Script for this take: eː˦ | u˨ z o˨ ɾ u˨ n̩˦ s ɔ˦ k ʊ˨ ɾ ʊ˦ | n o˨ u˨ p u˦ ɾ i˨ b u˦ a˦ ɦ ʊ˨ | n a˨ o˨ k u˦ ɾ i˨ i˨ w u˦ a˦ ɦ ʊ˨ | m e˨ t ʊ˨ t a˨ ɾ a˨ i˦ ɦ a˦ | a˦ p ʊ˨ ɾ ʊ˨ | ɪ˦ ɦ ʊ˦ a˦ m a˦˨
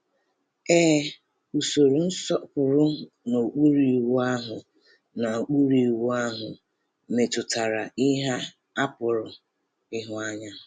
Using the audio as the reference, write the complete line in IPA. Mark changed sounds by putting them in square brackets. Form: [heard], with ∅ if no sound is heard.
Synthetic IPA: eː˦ | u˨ [s] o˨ ɾ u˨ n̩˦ s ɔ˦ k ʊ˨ ɾ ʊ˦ | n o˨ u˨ [k͡p] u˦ ɾ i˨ [w] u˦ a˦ ɦ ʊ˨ | n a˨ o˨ [k͡p] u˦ ɾ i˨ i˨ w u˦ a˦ ɦ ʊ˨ | m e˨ t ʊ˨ t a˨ ɾ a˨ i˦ ɦ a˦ | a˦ p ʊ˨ ɾ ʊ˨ | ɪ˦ ɦ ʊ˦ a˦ [ɲ] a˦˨